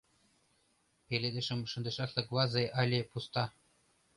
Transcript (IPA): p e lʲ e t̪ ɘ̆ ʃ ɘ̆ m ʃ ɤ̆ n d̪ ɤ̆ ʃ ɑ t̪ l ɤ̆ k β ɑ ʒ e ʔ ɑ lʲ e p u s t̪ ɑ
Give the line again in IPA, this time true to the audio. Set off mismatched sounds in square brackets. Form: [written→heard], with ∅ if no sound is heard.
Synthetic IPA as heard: p e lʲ e [t̪→d̪] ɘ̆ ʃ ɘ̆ m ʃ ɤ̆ n d̪ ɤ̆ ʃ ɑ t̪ l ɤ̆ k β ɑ [ʒ→z] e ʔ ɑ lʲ e p u s t̪ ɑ